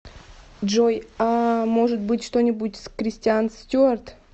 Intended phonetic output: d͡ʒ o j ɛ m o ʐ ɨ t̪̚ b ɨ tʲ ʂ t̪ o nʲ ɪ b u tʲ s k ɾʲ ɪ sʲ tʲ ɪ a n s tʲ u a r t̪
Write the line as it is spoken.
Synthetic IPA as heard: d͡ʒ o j a m o ʐ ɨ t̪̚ b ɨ tʲ ʂ t̪ o nʲ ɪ b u tʲ s k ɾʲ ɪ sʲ tʲ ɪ a n s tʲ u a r t̪